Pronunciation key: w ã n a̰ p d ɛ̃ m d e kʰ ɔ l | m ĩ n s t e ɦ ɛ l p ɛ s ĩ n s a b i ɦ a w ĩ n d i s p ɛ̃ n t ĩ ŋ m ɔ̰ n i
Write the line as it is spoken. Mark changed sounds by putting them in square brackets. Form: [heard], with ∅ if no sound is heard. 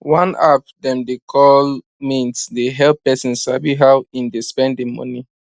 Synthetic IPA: w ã n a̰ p d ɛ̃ m d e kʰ ɔ l | m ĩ n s [d] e ɦ ɛ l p ɛ s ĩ n s a b i ɦ a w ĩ n d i s p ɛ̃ n [d] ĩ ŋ m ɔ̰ n i